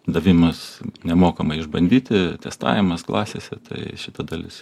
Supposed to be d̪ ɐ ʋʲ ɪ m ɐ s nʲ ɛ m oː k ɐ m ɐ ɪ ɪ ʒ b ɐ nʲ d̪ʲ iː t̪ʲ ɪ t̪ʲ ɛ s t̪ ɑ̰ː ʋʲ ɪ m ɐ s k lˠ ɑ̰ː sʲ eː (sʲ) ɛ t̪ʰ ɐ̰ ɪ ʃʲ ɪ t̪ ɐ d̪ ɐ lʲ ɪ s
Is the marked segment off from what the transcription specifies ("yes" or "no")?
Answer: no